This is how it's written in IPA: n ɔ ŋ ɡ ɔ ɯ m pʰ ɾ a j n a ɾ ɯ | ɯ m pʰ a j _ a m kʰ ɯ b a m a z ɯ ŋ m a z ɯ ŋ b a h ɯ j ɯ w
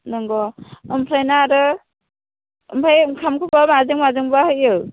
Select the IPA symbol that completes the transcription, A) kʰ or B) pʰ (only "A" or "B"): A